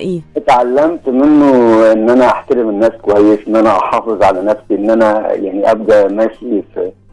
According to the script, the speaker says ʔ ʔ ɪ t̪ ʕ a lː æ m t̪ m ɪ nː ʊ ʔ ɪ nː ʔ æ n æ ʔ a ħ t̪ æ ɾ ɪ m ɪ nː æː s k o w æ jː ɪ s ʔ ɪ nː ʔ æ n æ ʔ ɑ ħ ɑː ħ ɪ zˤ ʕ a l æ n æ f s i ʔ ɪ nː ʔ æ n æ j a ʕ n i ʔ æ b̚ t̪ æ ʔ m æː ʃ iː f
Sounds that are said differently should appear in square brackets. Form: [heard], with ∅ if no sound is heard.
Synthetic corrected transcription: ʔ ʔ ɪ t̪ ʕ a lː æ m t̪ m ɪ nː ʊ ʔ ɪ nː ʔ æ n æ ʔ a ħ t̪ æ ɾ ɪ m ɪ nː æː s k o w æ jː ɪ s ʔ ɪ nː ʔ æ n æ ʔ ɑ ħ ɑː [f] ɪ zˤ ʕ a l æ n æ f s i ʔ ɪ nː ʔ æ n æ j a ʕ n i ʔ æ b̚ [d̪] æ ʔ m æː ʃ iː f